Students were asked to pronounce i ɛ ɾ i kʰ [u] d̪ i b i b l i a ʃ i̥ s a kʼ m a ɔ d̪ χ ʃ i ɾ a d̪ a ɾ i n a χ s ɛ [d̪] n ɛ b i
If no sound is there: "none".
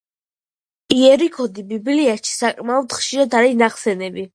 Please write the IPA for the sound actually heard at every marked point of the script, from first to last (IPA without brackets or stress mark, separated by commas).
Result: ɔ, none